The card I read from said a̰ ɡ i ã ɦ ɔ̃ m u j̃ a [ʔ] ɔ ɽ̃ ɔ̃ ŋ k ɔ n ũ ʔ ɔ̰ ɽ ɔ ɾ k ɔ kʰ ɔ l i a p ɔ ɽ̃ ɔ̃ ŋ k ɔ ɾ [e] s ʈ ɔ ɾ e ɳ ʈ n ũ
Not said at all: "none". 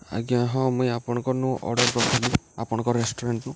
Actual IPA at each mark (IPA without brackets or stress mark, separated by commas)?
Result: p, e